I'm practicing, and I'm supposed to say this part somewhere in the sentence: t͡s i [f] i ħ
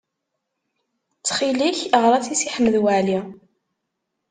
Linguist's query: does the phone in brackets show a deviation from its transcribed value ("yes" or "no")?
yes